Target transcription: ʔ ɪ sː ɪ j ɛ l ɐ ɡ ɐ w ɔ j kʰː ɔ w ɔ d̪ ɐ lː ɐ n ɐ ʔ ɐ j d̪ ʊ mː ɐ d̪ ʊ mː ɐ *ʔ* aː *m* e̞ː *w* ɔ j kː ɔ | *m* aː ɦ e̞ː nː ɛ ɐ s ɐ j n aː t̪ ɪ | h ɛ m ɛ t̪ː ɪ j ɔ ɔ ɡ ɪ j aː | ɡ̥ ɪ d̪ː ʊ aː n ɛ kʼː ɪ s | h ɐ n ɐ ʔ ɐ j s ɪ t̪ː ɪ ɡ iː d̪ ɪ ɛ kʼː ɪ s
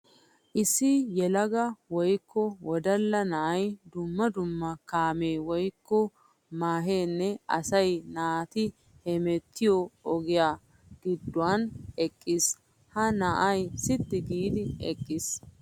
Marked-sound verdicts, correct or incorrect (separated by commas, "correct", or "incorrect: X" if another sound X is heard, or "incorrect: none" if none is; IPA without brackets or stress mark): incorrect: k, correct, correct, correct